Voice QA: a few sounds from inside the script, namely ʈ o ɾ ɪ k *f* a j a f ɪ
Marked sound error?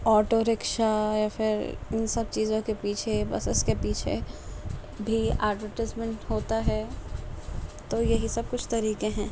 yes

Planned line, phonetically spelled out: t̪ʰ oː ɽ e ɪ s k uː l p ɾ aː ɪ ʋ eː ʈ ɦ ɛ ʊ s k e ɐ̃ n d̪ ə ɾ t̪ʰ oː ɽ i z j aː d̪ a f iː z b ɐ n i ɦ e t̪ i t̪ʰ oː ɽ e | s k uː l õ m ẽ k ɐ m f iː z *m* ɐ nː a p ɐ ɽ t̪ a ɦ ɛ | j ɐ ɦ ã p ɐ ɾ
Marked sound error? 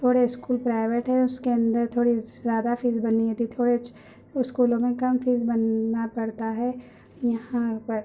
yes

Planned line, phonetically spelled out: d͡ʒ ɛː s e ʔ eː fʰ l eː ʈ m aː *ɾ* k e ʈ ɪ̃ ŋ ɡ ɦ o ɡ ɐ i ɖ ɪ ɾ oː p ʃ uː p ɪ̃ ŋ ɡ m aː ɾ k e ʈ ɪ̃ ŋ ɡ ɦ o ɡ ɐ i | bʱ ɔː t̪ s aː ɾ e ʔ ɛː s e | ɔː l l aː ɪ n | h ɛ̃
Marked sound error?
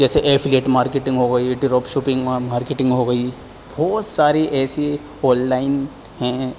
no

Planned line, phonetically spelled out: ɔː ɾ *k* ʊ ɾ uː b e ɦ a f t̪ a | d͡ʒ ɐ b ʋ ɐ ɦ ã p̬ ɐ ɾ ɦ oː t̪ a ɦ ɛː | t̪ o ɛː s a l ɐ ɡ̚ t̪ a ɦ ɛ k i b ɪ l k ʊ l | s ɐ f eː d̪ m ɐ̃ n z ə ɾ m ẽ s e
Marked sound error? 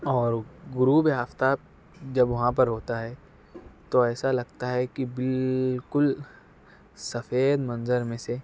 yes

